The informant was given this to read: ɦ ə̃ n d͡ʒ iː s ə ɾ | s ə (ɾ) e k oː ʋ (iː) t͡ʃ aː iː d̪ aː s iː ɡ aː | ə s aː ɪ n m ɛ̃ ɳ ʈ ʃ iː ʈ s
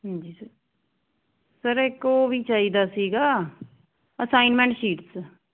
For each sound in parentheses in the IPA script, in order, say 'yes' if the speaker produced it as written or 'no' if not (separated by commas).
yes, yes